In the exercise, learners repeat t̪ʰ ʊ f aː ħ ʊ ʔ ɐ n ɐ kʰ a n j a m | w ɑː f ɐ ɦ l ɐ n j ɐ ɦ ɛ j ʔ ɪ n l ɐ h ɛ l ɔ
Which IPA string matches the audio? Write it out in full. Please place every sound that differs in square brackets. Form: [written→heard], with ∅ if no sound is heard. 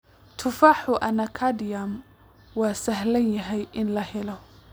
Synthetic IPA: t̪ʰ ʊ f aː ħ ʊ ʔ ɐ n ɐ kʰ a [n→d] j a m | w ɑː [f→s] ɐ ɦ l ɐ n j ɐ ɦ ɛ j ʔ ɪ n l ɐ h ɛ l ɔ